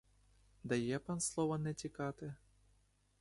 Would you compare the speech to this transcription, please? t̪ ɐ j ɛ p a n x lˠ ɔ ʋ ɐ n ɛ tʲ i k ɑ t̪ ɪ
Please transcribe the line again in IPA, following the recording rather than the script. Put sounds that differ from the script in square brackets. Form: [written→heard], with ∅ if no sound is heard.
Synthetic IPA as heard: [t̪→d̪] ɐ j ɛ p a n [x→s] lˠ ɔ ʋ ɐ n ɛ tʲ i k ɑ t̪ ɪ